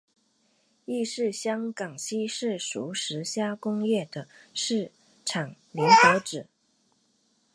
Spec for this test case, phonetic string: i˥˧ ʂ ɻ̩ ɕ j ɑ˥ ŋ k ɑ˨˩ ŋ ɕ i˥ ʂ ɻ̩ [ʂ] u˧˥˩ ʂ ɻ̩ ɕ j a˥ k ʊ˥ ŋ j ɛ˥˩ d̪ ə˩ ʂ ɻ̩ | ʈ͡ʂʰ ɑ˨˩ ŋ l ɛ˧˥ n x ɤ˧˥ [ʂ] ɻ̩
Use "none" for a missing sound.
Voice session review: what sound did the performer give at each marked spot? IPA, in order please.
ʂ, ʈ͡ʂ

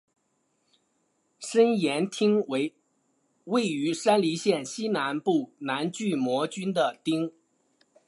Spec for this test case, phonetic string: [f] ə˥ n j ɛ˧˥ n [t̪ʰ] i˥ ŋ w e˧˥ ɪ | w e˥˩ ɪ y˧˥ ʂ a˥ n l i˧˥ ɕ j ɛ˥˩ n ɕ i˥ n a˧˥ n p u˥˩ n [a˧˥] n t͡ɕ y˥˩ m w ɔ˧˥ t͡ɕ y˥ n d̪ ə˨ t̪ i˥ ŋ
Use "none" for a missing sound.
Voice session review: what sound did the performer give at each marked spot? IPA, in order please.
ʂ, t̪ʰ, a˧˥

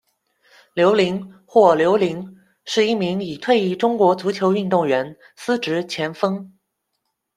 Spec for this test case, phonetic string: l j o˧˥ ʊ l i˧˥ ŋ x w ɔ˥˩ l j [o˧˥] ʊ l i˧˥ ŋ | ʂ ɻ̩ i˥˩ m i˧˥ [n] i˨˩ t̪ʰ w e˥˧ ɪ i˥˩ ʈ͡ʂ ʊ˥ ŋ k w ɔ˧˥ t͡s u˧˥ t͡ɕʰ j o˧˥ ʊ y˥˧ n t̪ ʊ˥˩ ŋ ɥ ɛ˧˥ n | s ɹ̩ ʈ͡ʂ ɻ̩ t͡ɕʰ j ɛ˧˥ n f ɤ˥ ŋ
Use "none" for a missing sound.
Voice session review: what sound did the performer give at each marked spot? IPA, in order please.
o˧˥, ŋ

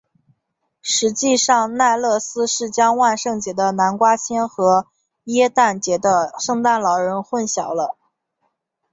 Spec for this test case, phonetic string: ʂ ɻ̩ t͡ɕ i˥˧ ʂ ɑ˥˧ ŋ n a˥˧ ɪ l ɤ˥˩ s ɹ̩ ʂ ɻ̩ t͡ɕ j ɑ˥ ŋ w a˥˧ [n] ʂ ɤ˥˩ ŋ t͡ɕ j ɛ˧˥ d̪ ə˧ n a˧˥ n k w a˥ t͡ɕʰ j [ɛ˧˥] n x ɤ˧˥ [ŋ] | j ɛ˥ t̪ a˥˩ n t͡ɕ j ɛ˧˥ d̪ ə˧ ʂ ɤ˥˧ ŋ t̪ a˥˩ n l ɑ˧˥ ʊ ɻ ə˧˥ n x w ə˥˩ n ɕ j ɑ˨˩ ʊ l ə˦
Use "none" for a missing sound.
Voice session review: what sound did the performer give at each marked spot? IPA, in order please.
n, ɛ˥, none

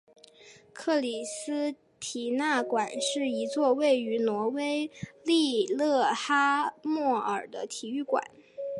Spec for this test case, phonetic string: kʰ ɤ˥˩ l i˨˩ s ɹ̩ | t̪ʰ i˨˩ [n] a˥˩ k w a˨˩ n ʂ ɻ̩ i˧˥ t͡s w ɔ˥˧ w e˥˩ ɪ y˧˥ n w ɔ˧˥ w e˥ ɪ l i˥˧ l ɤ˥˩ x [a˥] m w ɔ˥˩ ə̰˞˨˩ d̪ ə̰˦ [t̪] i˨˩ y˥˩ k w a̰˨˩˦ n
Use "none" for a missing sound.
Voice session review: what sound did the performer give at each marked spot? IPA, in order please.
n, a˥, t̪ʰ

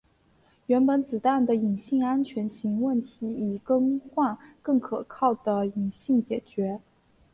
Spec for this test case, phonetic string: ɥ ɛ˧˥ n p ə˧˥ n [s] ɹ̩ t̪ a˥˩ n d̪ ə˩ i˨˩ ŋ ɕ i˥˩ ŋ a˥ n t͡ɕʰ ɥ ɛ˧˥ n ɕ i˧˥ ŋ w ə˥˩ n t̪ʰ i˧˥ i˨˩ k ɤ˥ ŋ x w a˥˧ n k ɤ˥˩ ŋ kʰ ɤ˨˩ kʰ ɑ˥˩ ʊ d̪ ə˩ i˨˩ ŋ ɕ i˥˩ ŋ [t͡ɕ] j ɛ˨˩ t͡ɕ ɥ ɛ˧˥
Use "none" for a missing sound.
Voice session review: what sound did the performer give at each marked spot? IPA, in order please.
t͡s, t͡ɕ

